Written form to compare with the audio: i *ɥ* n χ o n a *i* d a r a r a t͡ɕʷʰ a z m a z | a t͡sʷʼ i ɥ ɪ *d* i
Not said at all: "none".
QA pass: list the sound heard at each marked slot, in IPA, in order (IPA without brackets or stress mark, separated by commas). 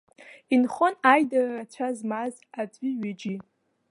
none, j, d͡ʒ